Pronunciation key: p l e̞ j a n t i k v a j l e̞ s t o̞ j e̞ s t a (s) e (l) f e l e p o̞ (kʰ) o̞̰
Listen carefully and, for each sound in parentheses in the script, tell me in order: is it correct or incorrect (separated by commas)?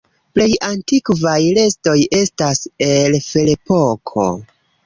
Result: correct, correct, correct